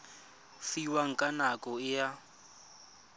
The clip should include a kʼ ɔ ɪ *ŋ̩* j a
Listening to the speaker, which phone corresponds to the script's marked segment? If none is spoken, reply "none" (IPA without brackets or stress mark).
none